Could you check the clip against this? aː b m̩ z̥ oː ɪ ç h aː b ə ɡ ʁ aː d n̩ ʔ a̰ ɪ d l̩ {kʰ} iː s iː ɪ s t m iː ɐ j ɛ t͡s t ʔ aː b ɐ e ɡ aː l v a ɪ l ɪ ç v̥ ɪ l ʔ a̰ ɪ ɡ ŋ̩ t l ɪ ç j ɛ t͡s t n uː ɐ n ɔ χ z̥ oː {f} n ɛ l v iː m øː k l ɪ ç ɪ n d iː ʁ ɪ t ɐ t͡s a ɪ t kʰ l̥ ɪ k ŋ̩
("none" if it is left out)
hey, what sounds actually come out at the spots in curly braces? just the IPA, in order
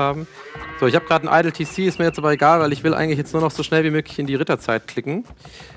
tʰ, ʃ

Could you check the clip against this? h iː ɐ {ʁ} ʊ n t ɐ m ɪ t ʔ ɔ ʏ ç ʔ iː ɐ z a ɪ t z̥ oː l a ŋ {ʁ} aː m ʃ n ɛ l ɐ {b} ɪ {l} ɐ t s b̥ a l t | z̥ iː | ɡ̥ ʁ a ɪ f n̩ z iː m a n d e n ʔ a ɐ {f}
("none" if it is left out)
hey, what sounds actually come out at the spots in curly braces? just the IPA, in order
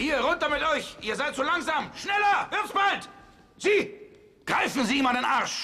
ʁ, z, v, none, ʃ

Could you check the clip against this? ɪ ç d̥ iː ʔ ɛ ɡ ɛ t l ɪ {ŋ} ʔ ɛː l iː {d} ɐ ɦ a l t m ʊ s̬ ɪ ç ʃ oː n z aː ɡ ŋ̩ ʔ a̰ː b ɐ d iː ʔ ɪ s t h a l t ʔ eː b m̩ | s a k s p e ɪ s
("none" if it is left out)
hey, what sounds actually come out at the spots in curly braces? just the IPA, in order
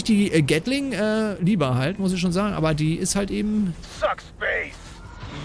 ŋ, b

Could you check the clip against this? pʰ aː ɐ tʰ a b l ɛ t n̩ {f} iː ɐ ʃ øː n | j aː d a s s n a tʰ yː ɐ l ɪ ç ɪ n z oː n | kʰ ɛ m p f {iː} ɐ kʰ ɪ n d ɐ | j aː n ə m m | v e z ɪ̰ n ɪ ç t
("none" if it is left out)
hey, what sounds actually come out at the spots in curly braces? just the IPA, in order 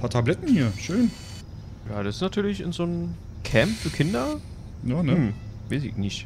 h, yː

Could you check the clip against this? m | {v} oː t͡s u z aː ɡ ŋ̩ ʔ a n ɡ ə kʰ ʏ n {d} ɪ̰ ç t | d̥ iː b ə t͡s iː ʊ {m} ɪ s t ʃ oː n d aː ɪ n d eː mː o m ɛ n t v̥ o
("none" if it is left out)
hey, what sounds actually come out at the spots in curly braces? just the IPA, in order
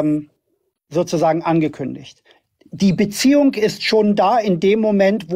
z, d, ŋ

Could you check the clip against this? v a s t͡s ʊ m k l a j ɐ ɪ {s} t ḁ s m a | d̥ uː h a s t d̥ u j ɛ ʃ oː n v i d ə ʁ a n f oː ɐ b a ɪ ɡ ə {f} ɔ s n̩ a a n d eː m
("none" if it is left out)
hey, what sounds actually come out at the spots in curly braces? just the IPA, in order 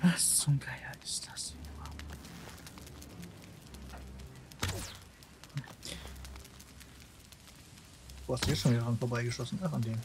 s, ʃ

